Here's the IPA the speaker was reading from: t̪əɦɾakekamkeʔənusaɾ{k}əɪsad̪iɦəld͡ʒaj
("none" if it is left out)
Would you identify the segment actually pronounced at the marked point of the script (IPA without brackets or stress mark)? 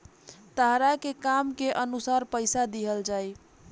p